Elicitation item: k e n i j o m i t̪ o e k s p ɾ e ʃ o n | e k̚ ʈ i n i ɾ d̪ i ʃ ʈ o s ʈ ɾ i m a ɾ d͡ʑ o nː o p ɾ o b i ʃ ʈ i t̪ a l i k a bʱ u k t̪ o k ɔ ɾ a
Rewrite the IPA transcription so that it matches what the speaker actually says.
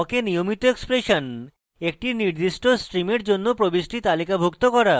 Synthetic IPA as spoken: k e n i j o m i t̪ o e k s p ɾ e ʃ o n | e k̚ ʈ i n i ɾ d̪ i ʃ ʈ o s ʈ ɾ i m e ɾ d͡ʑ o nː o p ɾ o b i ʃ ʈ i t̪ a l i k a bʱ u k t̪ o k ɔ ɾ a